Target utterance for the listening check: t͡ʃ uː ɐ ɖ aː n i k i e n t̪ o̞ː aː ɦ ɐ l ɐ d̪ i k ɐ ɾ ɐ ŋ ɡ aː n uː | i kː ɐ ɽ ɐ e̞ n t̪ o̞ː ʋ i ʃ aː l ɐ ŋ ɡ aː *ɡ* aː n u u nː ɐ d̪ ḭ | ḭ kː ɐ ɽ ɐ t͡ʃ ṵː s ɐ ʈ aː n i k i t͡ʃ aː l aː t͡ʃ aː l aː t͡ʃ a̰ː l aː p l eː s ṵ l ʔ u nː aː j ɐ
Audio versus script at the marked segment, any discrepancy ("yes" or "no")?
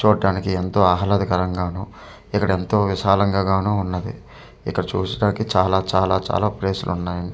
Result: no